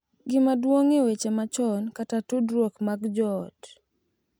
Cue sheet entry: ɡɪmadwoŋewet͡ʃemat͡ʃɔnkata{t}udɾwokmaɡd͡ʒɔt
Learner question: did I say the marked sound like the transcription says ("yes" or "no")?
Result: yes